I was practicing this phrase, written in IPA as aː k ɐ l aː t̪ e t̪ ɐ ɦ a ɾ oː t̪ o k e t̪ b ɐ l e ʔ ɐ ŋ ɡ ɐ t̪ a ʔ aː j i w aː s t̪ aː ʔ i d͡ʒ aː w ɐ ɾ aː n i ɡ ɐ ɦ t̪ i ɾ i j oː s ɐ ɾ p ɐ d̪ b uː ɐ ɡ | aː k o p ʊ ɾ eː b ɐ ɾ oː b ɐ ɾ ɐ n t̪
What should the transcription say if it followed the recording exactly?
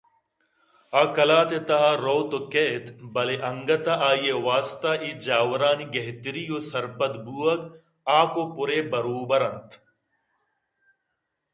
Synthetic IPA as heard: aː k ɐ l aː t̪ e t̪ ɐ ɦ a ɾ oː t̪ o k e t̪ b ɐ l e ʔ ɐ ŋ ɡ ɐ t̪ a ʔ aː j e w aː s t̪ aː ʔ i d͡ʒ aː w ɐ ɾ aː n i ɡ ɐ ɦ t̪ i ɾ i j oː s ɐ ɾ p ɐ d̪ b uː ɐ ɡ | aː k o p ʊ ɾ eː b ɐ ɾ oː b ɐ ɾ ɐ n t̪